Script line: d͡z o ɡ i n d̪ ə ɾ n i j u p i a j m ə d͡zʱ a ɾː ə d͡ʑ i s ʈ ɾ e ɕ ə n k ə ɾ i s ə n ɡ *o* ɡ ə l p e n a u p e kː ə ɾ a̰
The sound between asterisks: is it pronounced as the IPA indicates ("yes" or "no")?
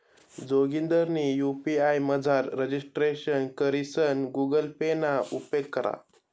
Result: no